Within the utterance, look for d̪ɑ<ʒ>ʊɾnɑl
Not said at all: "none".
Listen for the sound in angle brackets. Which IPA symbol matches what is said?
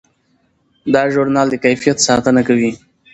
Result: ʒ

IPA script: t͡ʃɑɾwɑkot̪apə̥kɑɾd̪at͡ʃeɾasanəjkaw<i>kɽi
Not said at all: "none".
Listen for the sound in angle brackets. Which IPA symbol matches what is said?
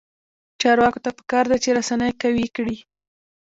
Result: i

